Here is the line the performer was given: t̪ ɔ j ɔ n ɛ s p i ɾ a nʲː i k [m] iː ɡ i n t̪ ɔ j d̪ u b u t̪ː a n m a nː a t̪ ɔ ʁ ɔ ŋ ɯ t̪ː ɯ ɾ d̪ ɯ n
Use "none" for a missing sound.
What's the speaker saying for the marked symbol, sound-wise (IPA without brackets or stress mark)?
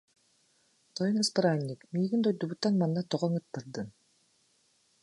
m